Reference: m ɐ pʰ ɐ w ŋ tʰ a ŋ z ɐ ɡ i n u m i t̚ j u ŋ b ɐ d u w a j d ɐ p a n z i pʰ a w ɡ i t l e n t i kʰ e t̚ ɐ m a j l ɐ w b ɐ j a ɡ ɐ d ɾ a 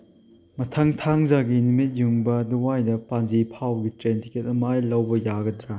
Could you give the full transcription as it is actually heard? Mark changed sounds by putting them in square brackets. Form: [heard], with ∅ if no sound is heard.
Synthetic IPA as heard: m ɐ [tʰ] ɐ [∅] ŋ tʰ a ŋ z [a] ɡ i n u m i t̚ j u ŋ b ɐ d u w a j d ɐ p a n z i pʰ a w ɡ i t [ɾ] e n t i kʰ e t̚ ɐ m a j l ɐ w b ɐ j a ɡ ɐ d ɾ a